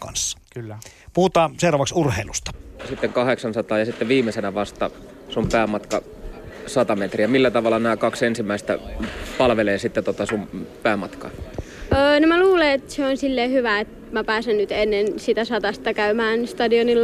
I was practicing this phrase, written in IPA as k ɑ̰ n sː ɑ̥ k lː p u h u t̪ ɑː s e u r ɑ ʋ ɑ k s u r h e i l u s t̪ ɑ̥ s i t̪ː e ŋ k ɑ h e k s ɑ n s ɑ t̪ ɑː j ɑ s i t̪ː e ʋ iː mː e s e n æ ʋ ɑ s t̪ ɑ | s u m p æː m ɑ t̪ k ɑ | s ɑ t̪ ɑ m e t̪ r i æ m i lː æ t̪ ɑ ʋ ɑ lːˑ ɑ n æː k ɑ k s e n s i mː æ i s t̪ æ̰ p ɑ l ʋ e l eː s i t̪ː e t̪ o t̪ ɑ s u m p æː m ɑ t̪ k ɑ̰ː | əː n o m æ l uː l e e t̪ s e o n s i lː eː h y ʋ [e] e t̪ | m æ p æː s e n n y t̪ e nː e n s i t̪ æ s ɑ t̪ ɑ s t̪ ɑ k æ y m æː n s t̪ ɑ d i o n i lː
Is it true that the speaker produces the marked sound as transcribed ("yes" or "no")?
no